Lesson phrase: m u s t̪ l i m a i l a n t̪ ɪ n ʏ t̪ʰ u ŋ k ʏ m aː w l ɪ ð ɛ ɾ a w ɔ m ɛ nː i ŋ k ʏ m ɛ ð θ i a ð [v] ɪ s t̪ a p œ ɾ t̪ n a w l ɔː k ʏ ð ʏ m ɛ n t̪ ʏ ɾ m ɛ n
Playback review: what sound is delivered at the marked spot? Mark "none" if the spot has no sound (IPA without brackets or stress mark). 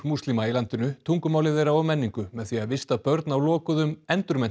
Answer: v